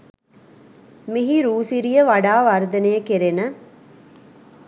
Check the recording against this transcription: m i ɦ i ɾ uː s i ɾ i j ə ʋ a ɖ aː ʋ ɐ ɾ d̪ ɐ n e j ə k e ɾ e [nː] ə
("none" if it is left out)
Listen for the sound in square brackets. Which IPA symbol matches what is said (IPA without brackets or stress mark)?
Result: n